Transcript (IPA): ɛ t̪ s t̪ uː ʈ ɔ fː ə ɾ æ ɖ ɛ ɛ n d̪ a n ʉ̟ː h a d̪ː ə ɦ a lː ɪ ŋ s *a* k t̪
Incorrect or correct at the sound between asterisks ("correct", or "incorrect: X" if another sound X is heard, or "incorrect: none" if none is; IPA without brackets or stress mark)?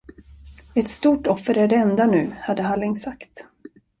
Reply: correct